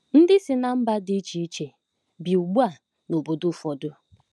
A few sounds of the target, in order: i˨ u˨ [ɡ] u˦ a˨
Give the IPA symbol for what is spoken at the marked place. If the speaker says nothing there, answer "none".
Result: ɡ͡b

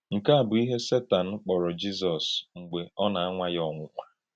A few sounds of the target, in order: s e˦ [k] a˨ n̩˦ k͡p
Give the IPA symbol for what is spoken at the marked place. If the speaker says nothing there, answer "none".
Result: t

